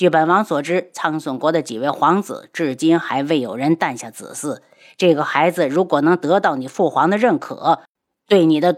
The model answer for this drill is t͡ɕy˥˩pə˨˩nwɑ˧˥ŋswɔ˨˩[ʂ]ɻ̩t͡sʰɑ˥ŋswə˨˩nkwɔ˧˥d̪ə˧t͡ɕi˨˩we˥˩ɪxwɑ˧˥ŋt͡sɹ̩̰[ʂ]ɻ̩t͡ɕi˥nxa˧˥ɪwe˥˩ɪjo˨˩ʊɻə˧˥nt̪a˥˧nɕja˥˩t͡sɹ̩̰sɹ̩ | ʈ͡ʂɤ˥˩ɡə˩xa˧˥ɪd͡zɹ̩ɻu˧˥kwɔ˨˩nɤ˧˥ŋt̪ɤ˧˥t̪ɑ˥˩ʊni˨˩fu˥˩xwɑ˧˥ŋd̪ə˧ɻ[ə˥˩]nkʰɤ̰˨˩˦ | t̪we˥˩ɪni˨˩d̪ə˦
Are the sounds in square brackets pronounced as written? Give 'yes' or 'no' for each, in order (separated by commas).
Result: no, no, yes